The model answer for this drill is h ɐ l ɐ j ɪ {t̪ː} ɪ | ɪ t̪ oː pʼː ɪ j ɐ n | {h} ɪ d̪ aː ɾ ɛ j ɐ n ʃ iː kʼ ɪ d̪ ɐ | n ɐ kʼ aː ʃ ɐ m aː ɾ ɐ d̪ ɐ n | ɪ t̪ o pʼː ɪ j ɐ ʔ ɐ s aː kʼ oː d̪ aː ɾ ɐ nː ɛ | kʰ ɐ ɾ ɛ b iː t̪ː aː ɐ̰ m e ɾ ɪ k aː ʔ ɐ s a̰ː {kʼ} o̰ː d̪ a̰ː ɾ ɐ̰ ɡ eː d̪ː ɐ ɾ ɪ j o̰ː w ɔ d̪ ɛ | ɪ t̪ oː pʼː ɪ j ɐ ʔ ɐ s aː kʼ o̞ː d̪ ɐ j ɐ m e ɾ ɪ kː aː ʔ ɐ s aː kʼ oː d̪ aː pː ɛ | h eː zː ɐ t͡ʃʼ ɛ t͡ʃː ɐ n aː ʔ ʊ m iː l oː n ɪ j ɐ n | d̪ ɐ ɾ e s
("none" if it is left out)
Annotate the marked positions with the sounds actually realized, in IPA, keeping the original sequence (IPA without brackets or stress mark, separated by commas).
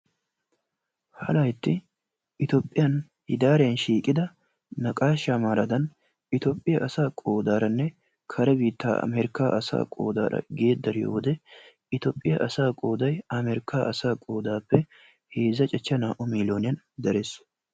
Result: t̪ː, h, kʼ